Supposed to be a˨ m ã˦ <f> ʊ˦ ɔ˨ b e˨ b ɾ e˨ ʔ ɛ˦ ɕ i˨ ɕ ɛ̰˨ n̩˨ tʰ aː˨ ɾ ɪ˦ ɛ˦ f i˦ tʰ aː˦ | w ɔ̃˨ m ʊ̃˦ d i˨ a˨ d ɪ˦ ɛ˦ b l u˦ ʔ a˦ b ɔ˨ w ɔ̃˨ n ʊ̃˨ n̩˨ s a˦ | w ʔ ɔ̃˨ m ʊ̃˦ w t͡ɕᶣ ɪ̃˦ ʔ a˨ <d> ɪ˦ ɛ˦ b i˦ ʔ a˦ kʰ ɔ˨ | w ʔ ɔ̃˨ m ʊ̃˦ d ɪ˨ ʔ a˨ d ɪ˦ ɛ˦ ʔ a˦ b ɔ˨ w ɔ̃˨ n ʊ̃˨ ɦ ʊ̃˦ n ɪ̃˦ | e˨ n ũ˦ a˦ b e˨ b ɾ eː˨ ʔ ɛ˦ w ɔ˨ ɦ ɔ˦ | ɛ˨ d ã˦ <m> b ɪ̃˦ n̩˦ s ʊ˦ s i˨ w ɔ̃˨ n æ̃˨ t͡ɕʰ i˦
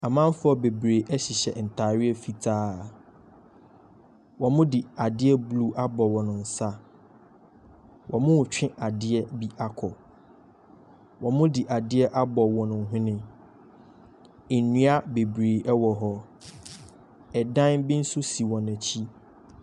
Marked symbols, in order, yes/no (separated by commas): yes, yes, no